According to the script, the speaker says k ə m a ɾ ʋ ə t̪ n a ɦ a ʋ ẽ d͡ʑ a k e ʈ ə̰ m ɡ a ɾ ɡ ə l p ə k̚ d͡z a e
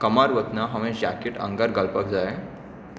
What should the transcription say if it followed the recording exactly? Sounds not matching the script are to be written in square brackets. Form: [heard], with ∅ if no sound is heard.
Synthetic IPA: k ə m a ɾ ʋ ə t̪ n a ɦ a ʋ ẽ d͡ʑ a k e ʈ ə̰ [ŋ] ɡ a ɾ ɡ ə l p ə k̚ d͡z a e